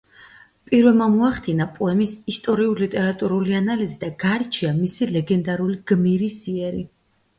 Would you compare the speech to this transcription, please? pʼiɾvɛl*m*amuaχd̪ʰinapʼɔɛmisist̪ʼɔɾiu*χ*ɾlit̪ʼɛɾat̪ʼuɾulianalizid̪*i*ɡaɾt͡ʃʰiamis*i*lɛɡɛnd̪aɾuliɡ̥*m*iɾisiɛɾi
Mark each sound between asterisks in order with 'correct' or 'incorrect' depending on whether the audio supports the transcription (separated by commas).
correct, incorrect, incorrect, correct, correct